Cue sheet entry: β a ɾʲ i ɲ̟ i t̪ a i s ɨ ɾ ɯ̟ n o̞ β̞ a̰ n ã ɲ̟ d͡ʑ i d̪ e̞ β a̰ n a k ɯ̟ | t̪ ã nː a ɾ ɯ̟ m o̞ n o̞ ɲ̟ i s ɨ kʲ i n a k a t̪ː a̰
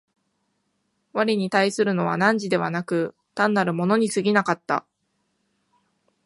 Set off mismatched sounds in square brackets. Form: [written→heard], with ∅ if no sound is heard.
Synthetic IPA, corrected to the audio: β a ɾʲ i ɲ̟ i t̪ a i s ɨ ɾ ɯ̟ n o̞ β̞ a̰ n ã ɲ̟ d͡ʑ i d̪ e̞ β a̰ n a k ɯ̟ | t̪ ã nː a ɾ ɯ̟ m o̞ n o̞ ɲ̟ i s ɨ [kʲ→ɡʲ] i n a k a t̪ː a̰